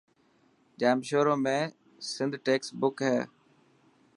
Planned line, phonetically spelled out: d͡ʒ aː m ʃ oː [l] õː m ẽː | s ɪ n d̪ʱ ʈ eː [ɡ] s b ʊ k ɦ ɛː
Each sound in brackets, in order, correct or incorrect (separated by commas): incorrect, incorrect